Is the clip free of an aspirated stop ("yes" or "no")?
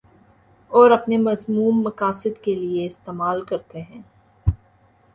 yes